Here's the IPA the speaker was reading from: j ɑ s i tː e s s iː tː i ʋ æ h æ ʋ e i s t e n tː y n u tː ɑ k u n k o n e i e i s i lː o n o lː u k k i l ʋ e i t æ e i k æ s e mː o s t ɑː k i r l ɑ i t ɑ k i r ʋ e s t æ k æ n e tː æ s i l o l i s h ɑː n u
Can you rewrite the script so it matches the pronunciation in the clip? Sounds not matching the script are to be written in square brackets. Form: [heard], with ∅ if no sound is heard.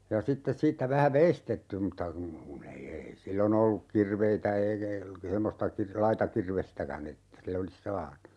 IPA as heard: j ɑ s i tː e s s iː tː [æ] ʋ æ h æ ʋ e i s t e [∅] tː y [m] u tː ɑ k u n k [u] n e i e i s i lː o n o lː u k k i [r] ʋ e i t æ e i k æ s e mː o s t [ɑ] k i r l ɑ i t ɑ k i r ʋ e s t æ k æ n e tː æ s i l o l i s [s] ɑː n u